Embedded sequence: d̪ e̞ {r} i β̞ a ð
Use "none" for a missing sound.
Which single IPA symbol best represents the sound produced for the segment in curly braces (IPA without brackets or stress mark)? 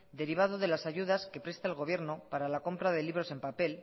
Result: ɾ